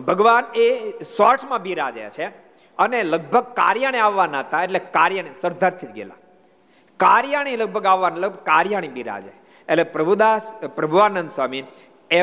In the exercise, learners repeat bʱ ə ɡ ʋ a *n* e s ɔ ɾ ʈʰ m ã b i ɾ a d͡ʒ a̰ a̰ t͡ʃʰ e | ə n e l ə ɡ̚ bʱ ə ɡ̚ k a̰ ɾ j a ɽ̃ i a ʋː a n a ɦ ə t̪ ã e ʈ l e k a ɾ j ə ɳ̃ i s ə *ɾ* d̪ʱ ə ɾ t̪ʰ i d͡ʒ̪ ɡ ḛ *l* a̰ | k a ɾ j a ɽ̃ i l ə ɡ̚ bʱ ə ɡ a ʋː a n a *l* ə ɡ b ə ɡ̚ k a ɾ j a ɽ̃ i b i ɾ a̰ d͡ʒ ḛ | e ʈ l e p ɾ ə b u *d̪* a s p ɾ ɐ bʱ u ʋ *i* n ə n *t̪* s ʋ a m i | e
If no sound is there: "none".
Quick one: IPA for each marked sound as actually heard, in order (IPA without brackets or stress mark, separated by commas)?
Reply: n, ɾ, l, l, d̪, a, d̪